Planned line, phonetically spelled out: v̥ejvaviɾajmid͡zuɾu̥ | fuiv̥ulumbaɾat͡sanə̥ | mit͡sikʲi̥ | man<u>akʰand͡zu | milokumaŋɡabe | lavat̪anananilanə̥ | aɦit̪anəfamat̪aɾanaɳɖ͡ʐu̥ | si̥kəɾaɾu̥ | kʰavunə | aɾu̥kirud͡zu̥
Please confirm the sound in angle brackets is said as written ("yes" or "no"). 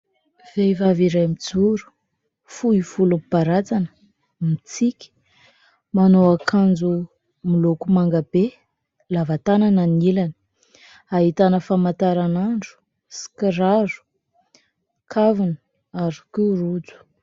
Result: no